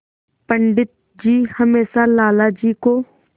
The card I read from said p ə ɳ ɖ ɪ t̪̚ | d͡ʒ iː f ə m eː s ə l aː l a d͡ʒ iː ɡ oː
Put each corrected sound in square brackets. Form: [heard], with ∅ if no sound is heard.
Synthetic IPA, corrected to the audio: p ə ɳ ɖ ɪ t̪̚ | d͡ʒ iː [h] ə m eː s [a] l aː l a d͡ʒ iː [k] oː

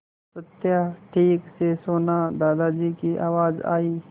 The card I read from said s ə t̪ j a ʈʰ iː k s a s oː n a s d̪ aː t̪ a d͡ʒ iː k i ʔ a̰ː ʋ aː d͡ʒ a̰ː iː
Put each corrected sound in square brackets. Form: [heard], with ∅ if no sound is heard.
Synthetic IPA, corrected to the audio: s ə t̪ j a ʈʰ iː k s [e] s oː n a [∅] d̪ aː [d̪] a d͡ʒ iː k i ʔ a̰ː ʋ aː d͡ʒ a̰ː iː

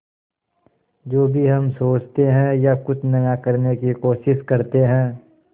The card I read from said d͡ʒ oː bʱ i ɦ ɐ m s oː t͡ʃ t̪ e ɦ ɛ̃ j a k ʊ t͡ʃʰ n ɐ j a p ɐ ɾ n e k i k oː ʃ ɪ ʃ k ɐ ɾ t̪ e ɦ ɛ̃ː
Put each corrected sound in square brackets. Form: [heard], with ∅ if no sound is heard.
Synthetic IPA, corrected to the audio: d͡ʒ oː bʱ i ɦ ɐ m s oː t͡ʃ t̪ e ɦ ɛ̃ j a k ʊ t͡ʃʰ n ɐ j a [k] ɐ ɾ n e k i k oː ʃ ɪ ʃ k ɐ ɾ t̪ e ɦ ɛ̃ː

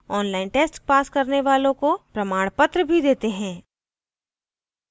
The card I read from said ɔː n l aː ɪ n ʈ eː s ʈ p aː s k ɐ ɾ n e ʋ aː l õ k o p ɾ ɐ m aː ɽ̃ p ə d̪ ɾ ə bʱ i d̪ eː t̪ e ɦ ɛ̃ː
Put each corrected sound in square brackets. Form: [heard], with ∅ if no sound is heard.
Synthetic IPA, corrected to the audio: ɔː n l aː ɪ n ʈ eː s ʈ p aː s k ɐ ɾ n e ʋ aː l õ k o p ɾ ɐ m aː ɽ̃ p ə [t̪] ɾ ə bʱ i d̪ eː t̪ e ɦ ɛ̃ː

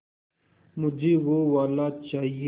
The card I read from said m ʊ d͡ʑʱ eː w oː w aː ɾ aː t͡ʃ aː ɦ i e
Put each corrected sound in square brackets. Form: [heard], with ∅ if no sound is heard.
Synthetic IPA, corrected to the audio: m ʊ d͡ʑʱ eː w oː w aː [l] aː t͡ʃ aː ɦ i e

